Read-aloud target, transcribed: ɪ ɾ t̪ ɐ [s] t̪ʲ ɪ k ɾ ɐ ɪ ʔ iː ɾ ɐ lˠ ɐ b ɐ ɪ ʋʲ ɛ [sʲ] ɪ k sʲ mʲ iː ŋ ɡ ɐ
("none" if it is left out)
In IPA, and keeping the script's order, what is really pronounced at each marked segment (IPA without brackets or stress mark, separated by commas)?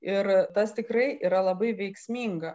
s, none